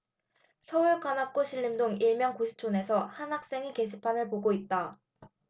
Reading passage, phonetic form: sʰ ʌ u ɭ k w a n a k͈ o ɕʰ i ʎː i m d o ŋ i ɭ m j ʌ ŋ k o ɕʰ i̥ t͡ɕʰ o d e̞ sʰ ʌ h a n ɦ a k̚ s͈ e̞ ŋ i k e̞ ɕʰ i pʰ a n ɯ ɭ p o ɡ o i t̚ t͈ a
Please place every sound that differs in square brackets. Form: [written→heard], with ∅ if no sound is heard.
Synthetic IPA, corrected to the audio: sʰ ʌ u ɭ k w a n a k͈ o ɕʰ i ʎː i m d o ŋ i ɭ m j ʌ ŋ k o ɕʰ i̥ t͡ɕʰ o [d→n] e̞ sʰ ʌ h a n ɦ a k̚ s͈ e̞ ŋ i k e̞ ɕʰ i pʰ a n ɯ ɭ p o ɡ o i t̚ t͈ a